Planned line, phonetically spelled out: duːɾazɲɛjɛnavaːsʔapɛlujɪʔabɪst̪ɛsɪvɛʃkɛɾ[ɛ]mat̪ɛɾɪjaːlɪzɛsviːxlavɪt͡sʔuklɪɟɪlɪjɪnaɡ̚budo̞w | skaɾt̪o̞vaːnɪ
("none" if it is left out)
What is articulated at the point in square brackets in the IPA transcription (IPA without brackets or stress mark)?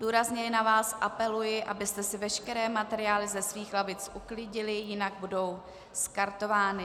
ɛː